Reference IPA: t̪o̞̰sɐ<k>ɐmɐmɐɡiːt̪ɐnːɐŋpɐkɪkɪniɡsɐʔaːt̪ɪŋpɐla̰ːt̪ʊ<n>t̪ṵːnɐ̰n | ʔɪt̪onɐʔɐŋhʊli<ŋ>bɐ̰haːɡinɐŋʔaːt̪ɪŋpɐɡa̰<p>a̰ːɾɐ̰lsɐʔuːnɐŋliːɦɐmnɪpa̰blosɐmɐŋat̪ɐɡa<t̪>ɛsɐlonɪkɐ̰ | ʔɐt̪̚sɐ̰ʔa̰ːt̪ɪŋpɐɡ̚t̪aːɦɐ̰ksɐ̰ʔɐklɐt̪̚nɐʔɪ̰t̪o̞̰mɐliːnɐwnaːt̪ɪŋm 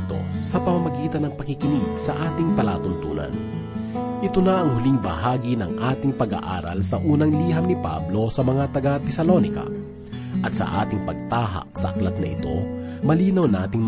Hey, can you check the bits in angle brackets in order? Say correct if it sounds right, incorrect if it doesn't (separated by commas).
incorrect, correct, correct, incorrect, correct